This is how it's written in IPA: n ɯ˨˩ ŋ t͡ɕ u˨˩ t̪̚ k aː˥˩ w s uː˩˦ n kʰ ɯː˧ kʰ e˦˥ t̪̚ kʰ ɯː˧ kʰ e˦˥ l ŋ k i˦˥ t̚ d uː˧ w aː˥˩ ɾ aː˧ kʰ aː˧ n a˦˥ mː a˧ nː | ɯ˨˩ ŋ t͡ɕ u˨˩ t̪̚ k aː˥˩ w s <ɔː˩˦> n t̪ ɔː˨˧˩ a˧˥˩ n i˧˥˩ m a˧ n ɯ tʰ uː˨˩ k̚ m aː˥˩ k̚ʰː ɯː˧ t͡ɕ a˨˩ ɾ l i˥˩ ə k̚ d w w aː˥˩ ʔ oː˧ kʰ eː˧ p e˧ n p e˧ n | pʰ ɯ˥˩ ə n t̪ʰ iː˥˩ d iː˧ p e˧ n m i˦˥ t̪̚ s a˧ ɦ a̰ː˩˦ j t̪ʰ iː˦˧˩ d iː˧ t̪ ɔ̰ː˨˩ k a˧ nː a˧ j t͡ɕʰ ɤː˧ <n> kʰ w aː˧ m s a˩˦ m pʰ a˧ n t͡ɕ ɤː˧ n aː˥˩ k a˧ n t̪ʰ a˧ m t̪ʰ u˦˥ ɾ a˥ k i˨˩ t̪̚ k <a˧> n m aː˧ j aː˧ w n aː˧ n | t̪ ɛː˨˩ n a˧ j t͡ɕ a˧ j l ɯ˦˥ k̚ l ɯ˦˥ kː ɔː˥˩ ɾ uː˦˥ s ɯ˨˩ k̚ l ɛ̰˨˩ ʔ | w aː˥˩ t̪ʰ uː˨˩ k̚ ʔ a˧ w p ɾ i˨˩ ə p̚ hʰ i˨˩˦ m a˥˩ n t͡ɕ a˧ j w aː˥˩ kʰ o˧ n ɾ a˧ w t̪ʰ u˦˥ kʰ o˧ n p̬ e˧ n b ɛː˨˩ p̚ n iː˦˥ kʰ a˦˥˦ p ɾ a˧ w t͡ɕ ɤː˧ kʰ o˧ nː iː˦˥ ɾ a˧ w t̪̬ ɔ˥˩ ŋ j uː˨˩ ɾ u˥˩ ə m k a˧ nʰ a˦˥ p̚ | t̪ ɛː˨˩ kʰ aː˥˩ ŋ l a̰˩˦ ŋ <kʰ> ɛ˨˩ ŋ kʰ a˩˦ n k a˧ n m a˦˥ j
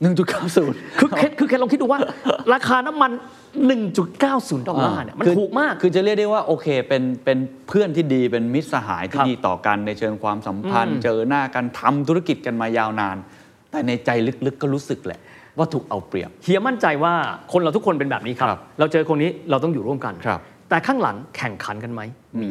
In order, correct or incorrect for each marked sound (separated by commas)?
incorrect, incorrect, correct, correct